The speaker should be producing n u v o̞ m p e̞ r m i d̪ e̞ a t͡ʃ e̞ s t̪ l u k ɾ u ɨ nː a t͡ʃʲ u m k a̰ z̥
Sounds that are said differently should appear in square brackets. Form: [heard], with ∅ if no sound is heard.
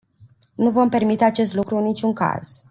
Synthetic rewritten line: n u v o̞ m p e̞ r m i [t̪] e̞ a t͡ʃ e̞ s t̪ l u k ɾ u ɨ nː [i] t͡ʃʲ u [ŋ] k a̰ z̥